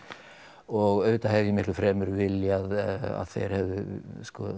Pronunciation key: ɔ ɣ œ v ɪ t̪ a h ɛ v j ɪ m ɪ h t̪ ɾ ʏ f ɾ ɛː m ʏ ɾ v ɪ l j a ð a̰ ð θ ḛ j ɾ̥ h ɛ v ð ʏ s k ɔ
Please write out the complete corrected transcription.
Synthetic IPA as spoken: ɔ ɣ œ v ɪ t̪ a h ɛ v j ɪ m ɪ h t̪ l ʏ f ɾ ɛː m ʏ ɾ v ɪ l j a ð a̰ ð θ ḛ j ɾ̥ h ɛ v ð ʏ s k ɔ

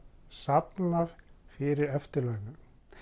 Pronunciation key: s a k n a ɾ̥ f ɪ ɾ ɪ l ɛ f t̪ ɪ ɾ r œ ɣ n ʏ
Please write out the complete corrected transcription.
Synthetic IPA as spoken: s a p n a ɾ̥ f ɪ ɾ ɪ ɾ ɛ f t̪ ɪ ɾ l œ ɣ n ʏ

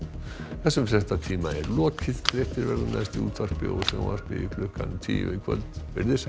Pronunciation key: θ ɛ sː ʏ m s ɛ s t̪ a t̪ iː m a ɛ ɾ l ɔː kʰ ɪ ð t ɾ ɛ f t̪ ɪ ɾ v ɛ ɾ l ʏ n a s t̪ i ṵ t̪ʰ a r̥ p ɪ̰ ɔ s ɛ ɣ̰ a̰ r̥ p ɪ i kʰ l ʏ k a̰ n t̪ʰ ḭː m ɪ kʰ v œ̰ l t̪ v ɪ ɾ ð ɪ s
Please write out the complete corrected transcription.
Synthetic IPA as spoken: θ ɛ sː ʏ m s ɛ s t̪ a t̪ʰ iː m a ɛ ɾ l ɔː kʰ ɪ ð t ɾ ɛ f t̪ ɪ ɾ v ɛ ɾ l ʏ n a s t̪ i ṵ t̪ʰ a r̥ p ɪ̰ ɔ s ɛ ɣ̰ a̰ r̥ p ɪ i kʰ l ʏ k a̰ n t̪ʰ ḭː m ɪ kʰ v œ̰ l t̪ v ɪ ɾ ð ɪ s

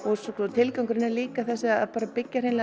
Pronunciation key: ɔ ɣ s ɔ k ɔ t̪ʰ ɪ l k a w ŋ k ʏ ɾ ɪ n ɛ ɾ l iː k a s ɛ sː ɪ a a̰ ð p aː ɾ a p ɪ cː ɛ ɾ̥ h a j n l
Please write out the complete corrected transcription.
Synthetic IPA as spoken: ɔ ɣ s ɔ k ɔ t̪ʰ ɪ l k a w ŋ k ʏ ɾ ɪ n ɛ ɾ l iː k a θ ɛ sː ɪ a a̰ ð p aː ɾ a p ɪ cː a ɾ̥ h e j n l

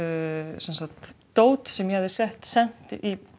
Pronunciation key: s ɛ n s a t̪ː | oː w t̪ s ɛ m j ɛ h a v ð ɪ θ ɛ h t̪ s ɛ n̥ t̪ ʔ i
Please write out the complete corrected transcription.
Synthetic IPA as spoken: s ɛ n s a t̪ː | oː w t̪ s ɛ m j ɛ h a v ð ɪ s ɛ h t̪ s ɛ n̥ t̪ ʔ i

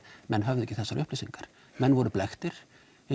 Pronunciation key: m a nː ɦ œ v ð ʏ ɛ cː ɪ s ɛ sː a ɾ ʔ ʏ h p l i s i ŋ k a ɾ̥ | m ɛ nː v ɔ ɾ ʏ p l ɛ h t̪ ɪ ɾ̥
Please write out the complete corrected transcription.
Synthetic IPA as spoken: m ɛ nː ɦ œ v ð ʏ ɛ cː ɪ θ ɛ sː a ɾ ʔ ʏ h p l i s i ŋ k a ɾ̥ | m ɛ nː v ɔ ɾ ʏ p l ɛ x t̪ ɪ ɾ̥

